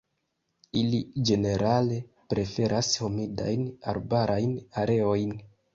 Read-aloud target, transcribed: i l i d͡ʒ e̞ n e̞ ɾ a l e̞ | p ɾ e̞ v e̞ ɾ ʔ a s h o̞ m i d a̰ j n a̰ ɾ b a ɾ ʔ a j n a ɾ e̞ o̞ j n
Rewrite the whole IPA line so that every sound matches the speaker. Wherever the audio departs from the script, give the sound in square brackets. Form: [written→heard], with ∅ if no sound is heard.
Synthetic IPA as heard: i l i d͡ʒ e̞ n e̞ ɾ a l e̞ | p ɾ e̞ [v→f] e̞ ɾ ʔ a s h o̞ m i d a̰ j n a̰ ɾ b a ɾ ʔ a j n a ɾ e̞ o̞ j n